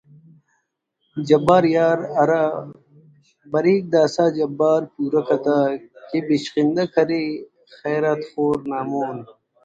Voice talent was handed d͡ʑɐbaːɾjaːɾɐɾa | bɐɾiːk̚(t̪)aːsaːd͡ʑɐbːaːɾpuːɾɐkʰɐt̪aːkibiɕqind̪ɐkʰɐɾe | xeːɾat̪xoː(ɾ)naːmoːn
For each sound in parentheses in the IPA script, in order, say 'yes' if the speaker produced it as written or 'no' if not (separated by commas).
no, yes